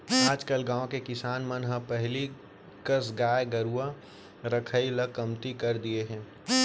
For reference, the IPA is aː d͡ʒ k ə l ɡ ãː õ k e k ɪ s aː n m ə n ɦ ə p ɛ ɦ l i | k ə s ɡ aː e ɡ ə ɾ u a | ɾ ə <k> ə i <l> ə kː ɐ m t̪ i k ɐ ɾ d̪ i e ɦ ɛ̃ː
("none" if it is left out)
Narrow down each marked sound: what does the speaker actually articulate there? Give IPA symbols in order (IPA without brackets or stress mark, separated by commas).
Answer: kʰ, l